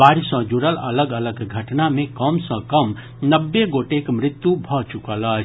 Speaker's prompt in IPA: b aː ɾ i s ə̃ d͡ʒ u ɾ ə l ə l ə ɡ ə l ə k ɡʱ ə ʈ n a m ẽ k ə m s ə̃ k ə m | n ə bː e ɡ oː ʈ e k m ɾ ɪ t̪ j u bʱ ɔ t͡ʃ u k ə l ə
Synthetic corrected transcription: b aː ɾ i s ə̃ d͡ʒ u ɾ ə l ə l ə ɡ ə l ə ɡ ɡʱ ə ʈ n a m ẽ k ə m s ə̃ k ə m | n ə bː e ɡ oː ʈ e k m ɾ ɪ t̪ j u bʱ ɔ t͡ʃ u k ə l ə